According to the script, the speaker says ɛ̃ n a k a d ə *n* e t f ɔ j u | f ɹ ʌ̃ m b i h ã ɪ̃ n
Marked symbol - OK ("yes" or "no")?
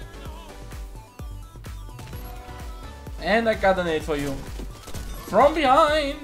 yes